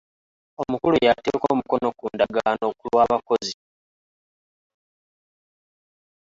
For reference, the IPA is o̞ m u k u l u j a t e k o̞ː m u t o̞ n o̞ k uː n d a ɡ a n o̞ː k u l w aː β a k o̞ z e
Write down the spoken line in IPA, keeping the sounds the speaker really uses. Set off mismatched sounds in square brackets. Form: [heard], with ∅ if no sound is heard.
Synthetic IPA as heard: o̞ m u k u l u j a t e k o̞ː m u [k] o̞ n o̞ k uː n d a ɡ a n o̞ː k u l w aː β a k o̞ z [i]